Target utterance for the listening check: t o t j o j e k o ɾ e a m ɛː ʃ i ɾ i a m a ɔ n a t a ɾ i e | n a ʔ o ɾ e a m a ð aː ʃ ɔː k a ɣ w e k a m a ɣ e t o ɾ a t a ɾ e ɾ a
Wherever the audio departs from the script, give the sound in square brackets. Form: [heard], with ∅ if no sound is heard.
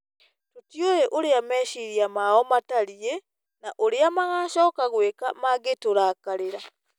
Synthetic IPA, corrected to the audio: t o t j o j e [ʔ] o ɾ e a m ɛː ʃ i ɾ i a m a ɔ [m] a t a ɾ i e | n a ʔ o ɾ e a m a [ɣ] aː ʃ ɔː k a ɣ w e k a m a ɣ e t o ɾ a [k] a ɾ e ɾ a